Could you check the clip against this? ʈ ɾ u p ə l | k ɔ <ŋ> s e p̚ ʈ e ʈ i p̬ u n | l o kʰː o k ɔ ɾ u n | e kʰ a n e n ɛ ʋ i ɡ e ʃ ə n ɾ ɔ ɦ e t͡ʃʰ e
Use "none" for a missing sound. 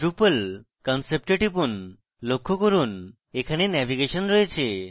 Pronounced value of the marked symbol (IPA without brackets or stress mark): n